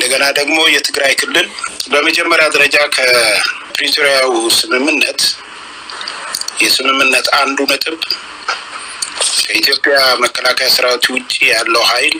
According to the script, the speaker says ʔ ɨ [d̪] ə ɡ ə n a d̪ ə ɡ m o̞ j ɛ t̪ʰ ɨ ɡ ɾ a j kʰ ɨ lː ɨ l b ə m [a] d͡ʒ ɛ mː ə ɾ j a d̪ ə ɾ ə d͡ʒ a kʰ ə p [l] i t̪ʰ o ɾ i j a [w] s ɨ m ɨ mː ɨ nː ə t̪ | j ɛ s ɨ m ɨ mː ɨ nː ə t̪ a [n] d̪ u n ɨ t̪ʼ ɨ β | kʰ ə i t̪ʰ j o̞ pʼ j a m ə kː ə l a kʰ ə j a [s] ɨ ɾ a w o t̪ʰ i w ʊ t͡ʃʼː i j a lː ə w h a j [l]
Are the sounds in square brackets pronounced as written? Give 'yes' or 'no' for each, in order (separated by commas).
yes, no, no, yes, yes, yes, yes